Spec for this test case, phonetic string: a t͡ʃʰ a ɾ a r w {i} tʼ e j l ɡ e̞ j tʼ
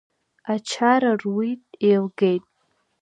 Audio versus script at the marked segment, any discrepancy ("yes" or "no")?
no